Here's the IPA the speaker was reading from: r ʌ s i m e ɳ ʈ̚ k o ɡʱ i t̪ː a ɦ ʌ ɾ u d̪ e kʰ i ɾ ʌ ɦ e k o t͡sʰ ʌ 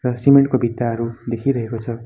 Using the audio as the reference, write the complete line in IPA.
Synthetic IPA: r ʌ s i m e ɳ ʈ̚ k o bʱ i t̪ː a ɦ ʌ ɾ u d̪ e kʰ i ɾ ʌ ɦ e k o t͡sʰ ʌ